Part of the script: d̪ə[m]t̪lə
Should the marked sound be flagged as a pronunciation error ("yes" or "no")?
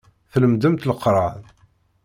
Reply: no